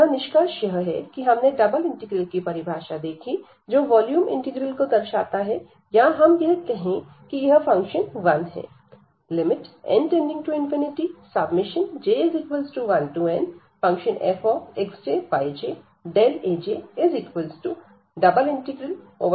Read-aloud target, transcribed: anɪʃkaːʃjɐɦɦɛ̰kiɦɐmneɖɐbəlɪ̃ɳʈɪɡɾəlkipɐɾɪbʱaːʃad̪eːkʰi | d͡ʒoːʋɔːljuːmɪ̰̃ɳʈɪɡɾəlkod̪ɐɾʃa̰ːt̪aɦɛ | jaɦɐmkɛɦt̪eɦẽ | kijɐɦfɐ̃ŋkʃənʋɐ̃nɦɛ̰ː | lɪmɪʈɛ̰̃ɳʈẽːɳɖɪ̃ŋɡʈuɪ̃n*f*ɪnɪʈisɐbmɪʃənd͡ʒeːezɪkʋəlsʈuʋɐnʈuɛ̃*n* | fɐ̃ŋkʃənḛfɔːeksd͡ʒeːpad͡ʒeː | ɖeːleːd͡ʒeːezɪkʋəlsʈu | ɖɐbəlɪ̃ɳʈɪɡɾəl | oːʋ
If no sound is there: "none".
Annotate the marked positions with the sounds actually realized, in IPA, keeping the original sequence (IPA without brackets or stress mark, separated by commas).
f, n